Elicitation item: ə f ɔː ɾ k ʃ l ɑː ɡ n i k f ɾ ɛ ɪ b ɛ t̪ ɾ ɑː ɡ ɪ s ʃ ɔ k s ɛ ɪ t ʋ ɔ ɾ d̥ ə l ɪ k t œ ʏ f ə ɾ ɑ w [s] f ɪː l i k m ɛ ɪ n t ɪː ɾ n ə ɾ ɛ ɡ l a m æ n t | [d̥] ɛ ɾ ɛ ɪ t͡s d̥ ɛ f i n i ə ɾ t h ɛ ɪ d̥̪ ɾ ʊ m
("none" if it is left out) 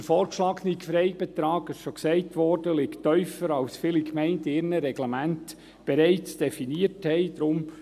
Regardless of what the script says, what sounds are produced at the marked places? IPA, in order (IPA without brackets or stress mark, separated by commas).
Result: s, b̥